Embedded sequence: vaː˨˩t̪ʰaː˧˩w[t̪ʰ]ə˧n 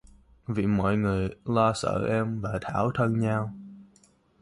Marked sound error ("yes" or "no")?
no